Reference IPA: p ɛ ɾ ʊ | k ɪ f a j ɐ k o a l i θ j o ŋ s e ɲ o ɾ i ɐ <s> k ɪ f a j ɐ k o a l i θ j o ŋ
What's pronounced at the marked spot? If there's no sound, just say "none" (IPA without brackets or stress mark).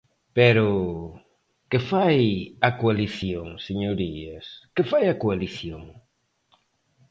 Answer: s